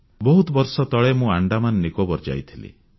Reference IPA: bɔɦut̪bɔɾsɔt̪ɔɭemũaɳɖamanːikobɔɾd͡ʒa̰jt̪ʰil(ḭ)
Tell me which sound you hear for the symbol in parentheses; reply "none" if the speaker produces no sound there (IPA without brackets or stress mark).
ḭ